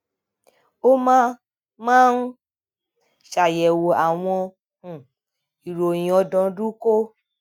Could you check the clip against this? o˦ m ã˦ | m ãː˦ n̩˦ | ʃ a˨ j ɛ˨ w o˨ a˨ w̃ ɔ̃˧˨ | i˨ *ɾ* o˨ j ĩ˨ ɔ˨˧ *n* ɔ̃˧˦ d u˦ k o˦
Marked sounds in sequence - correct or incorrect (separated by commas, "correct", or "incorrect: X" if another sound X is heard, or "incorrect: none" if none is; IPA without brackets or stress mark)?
correct, incorrect: d